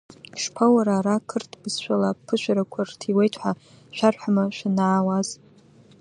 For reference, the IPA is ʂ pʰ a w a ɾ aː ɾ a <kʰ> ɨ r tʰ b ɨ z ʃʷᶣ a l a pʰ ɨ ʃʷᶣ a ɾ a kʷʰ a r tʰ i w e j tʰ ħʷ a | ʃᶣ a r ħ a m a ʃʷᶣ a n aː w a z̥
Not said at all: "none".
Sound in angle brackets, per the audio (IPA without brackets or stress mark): kʰ